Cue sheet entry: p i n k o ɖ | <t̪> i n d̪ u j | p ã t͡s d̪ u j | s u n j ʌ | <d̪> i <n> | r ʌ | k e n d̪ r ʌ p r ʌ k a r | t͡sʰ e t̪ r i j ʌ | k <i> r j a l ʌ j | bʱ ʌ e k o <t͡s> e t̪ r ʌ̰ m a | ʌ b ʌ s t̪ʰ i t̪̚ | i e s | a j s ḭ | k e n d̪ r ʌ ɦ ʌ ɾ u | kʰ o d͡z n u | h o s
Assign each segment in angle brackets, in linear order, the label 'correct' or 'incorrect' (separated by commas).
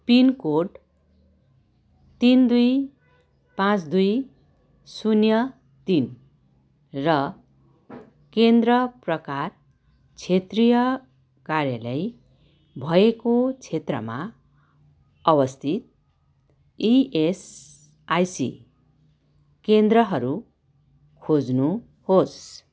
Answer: correct, incorrect, correct, incorrect, incorrect